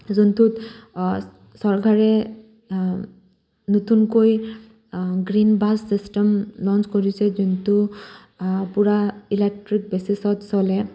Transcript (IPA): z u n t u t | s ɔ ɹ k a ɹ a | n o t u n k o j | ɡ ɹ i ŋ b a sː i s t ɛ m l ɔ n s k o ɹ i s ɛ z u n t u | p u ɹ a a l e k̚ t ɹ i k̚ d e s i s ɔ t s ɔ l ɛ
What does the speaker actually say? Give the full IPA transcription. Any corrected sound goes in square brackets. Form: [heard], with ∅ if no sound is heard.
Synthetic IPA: z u n t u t | s ɔ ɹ k a ɹ [ɛ] | n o t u n k o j | ɡ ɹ i [n] b a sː i s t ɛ m l ɔ n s k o ɹ i s ɛ z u n t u | p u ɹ a [i] l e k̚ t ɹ i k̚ [b] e s i s ɔ t s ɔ l ɛ